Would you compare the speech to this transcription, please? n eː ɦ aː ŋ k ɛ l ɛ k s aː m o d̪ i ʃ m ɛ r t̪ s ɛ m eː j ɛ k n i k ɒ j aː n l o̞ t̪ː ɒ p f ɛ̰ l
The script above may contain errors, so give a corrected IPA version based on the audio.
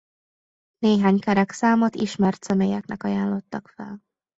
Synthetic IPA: n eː ɦ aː ɲ k ɛ ɾ ɛ k s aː m o t̪ i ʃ m ɛ r t̪ s ɛ m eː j ɛ k n ɛ k ɒ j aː n l o̞ t̪ː ɒ k f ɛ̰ l

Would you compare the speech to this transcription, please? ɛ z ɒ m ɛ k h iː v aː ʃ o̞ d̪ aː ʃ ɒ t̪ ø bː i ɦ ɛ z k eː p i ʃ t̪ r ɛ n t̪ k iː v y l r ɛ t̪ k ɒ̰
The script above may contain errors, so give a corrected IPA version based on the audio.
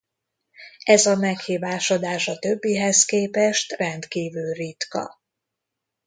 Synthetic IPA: ɛ z ɒ m ɛ k h iː v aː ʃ o̞ d̪ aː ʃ ɒ t̪ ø bː i ɦ ɛ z k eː p ɛ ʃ t̪ r ɛ n t̪ k iː v y l r i t̪ k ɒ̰

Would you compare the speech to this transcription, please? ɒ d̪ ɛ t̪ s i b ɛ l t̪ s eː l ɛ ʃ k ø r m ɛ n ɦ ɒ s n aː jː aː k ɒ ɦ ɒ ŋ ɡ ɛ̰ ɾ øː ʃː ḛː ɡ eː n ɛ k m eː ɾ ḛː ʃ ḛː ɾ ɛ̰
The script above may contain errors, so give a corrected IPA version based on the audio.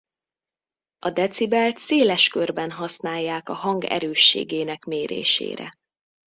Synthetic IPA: ɒ d̪ ɛ t̪ s i b ɛ l t̪ s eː l ɛ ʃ k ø r b ɛ n ɦ ɒ s n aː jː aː k ɒ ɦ ɒ ŋ ɡ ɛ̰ ɾ øː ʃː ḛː ɡ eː n ɛ k m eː ɾ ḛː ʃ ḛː ɾ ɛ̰

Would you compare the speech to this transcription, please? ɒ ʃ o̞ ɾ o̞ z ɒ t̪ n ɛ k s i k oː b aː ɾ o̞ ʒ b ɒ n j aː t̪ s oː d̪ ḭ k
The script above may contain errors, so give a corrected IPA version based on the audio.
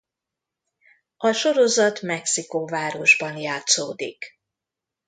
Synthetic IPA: ɒ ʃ o̞ ɾ o̞ z ɒ t̪ m ɛ k s i k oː v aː ɾ o̞ ʒ b ɒ n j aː t̪ s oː d̪ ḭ k

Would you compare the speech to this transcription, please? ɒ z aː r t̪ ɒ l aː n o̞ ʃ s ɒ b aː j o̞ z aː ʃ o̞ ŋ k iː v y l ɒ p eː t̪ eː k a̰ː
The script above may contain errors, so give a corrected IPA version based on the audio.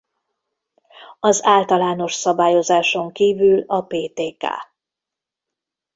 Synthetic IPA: ɒ z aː l t̪ ɒ l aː n o̞ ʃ s ɒ b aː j o̞ z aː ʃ o̞ ŋ k iː v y l ɒ p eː t̪ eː k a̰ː

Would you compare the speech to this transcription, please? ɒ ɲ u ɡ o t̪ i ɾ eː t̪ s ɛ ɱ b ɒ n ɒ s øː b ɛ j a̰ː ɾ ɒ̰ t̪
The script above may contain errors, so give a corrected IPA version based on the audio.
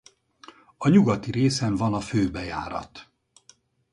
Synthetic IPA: ɒ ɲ u ɡ ɒ t̪ i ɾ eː s ɛ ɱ v ɒ n ɒ f øː b ɛ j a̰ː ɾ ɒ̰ t̪

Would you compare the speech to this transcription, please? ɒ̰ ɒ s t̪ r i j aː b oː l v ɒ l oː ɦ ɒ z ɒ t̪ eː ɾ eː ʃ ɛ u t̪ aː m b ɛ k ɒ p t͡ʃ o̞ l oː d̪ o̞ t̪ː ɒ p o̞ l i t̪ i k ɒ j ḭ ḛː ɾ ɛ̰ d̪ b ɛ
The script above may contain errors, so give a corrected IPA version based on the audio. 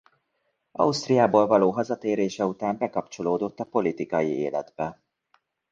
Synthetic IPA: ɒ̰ u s t̪ r i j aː b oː l v ɒ l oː ɦ ɒ z ɒ t̪ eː ɾ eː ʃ ɛ u t̪ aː m b ɛ k ɒ p t͡ʃ o̞ l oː d̪ o̞ t̪ː ɒ p o̞ l i t̪ i k ɒ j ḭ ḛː l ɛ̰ d̪ b ɛ

